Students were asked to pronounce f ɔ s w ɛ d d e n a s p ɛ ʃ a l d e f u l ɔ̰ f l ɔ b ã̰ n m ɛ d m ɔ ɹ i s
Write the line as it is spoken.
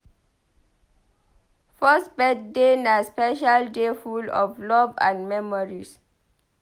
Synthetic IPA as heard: f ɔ s b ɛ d d e n a s p ɛ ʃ a l d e f u l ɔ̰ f l ɔ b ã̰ n m ɛ m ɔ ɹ i s